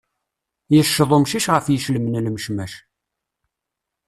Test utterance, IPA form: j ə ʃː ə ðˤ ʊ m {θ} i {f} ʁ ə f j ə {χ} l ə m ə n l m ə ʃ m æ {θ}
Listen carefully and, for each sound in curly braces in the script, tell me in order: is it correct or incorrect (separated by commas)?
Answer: incorrect, incorrect, incorrect, incorrect